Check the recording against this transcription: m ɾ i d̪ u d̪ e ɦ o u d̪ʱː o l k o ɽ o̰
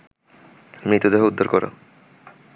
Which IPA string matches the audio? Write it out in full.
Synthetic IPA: m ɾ i t̪ u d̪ e ɦ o u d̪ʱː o ɾ k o ɾ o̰